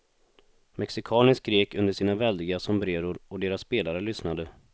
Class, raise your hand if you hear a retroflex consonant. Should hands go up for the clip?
yes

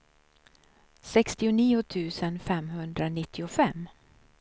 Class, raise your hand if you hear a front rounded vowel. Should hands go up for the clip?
no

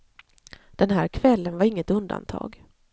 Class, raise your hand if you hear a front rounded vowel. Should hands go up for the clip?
no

